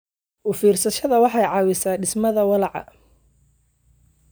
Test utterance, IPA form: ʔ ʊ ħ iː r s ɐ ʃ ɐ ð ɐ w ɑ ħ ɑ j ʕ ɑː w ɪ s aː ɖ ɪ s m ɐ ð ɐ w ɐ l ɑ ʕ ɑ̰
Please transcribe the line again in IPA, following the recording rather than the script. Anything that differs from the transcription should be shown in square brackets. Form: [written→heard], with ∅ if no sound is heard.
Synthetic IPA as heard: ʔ ʊ [ħ→f] iː r s ɐ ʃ ɐ ð ɐ w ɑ ħ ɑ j ʕ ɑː w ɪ s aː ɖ ɪ s m ɐ ð ɐ w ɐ l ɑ ʕ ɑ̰